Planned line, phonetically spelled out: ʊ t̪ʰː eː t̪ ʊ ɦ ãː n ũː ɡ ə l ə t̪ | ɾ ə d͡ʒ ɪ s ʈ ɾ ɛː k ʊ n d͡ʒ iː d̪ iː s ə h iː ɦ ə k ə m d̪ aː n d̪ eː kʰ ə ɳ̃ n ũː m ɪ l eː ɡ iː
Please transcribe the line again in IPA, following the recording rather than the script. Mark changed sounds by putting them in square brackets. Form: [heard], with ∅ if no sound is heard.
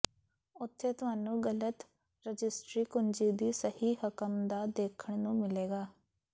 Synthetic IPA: ʊ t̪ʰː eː t̪ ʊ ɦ [aː] n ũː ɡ ə l ə t̪ | ɾ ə d͡ʒ ɪ s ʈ ɾ [iː] k ʊ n d͡ʒ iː d̪ iː s ə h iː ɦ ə k ə m d̪ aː [∅] d̪ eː kʰ ə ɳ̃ n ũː m ɪ l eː ɡ [aː]